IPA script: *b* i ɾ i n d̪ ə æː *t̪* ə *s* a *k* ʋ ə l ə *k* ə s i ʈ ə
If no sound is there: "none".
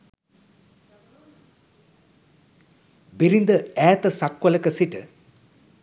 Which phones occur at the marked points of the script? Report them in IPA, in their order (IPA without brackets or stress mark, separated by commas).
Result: b, t̪, s, k, k